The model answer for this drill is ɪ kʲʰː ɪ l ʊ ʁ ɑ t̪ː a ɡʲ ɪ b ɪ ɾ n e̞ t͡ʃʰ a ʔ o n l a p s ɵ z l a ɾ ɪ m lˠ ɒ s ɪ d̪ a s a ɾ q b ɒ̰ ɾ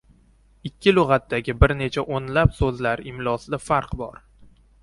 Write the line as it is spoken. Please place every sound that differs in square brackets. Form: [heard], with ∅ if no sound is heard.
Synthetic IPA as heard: ɪ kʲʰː ɪ l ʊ ʁ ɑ t̪ː a ɡʲ ɪ b ɪ ɾ n e̞ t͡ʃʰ a ʔ o n l a p s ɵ z l a ɾ ɪ m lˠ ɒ s ɪ d̪ a [f] a ɾ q b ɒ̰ ɾ